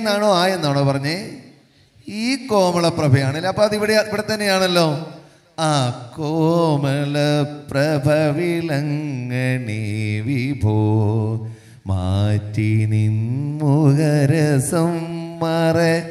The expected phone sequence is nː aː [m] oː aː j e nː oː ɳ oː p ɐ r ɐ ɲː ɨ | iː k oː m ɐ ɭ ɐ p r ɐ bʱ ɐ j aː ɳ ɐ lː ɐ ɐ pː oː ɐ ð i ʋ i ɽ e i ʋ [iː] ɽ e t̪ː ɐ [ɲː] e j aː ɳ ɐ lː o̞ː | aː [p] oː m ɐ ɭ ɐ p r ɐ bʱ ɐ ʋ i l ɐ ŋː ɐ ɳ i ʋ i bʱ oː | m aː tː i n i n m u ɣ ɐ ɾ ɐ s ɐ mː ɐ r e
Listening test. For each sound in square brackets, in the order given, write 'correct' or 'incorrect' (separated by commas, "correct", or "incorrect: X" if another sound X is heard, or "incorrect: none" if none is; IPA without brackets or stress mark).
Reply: incorrect: ɳ, incorrect: i, incorrect: nː, incorrect: k